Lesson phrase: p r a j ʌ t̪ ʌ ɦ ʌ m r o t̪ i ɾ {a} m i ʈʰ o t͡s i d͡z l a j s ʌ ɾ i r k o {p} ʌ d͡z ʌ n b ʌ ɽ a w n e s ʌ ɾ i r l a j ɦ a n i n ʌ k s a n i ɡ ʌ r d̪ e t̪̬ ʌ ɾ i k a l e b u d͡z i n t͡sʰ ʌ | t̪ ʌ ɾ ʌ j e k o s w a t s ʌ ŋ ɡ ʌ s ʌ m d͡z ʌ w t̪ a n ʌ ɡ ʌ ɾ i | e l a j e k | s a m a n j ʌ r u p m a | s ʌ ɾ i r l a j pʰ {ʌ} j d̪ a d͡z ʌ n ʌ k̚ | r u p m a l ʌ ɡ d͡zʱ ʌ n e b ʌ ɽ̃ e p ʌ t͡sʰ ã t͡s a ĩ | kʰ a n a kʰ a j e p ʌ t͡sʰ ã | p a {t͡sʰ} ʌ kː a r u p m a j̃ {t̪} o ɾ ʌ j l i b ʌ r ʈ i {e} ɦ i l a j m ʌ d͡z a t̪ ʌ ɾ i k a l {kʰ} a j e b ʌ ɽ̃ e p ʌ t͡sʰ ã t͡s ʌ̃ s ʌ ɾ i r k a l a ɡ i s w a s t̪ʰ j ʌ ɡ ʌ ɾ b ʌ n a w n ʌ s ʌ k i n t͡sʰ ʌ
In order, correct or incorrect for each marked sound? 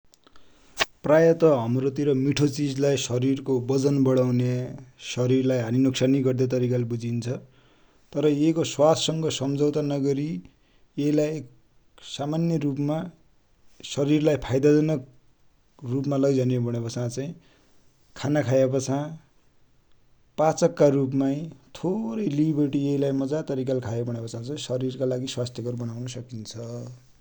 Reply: incorrect: ʌ, incorrect: b, incorrect: a, incorrect: t͡s, incorrect: t̪ʰ, correct, correct

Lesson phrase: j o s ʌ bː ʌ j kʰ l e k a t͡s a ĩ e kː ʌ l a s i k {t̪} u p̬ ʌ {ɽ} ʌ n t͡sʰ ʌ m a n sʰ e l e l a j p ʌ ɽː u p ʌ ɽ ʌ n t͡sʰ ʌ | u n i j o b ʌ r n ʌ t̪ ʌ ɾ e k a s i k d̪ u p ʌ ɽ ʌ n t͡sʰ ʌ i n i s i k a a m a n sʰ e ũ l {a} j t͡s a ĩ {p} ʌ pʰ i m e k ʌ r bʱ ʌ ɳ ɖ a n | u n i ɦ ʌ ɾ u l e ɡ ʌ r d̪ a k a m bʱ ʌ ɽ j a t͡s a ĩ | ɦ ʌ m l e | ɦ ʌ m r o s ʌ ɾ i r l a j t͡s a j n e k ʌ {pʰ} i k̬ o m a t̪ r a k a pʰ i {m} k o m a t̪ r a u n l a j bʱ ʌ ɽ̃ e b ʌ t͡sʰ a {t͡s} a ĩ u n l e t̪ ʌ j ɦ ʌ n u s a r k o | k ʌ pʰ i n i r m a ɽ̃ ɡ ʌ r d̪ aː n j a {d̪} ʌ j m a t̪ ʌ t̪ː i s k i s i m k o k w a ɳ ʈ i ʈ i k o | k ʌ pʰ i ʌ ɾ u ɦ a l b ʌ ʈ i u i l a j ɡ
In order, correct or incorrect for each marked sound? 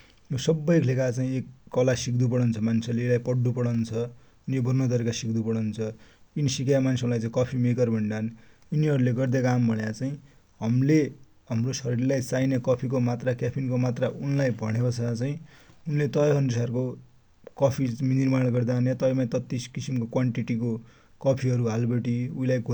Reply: incorrect: d̪, correct, correct, incorrect: k, correct, incorrect: n, correct, incorrect: t̪

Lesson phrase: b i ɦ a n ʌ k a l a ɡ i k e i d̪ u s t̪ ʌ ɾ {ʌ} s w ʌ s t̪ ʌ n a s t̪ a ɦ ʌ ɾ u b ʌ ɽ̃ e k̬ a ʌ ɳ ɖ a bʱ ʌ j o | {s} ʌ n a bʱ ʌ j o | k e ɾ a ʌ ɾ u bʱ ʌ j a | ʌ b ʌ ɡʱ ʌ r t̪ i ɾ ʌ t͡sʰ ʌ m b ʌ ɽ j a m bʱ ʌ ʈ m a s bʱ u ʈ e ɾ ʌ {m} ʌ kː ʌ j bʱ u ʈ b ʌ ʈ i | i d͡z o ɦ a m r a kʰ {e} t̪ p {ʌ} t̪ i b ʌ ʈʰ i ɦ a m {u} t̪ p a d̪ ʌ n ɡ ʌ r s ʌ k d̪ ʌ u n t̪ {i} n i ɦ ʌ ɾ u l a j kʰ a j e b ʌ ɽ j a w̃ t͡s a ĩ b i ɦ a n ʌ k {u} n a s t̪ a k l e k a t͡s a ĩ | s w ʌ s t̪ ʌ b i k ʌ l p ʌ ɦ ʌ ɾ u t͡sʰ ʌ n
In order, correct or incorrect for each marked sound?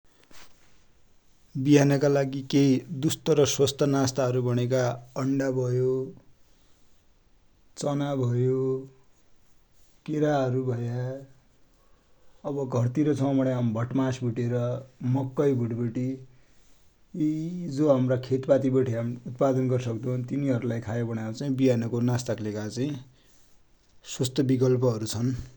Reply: correct, incorrect: t͡s, correct, correct, incorrect: a, correct, correct, incorrect: o

